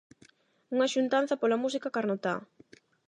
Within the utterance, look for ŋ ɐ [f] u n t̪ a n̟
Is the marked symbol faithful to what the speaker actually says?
no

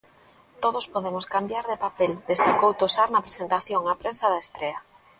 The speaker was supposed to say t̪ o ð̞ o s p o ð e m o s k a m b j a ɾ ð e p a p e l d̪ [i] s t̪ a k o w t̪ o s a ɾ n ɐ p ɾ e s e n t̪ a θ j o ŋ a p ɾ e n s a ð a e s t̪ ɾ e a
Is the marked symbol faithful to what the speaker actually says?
no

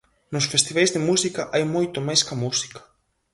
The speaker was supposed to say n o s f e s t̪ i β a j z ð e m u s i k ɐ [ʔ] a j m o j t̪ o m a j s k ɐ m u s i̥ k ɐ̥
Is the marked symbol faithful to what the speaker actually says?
yes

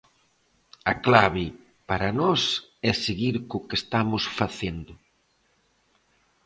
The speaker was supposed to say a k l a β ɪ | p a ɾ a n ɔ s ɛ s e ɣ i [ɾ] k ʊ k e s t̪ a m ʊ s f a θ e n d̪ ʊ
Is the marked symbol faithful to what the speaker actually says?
yes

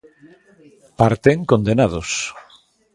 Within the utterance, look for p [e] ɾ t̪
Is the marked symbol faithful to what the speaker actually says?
no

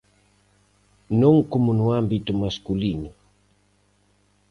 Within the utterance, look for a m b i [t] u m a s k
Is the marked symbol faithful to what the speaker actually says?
yes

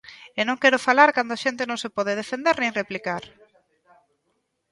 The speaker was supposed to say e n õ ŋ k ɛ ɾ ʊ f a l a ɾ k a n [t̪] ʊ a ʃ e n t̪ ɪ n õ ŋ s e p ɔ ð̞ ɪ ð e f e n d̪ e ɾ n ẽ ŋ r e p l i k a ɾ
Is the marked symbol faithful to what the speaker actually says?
no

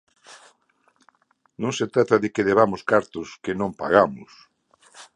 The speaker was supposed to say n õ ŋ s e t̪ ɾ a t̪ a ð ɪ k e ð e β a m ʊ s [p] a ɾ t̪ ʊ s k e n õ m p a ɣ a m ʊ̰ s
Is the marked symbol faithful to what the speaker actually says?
no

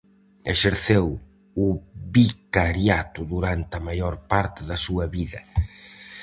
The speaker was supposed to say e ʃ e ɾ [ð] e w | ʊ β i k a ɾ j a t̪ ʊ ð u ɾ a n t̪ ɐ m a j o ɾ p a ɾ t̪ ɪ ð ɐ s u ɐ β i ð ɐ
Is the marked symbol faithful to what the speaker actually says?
no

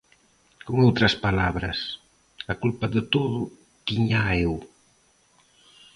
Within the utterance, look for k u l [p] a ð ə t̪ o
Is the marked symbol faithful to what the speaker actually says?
yes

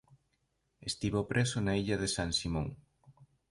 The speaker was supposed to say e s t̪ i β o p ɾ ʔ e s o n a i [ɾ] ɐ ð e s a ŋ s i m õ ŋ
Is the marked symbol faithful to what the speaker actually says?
no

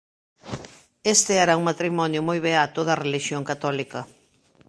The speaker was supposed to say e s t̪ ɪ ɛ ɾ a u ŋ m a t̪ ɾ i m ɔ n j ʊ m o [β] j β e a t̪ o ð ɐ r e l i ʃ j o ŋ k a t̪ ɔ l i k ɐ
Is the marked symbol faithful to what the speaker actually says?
no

